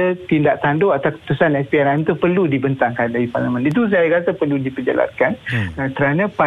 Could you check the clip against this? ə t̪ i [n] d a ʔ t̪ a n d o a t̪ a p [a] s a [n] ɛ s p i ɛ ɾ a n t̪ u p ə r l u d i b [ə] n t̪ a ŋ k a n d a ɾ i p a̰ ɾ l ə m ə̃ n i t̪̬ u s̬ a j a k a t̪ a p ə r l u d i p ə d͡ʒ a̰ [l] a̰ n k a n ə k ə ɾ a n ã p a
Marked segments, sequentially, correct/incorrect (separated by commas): correct, incorrect, correct, correct, correct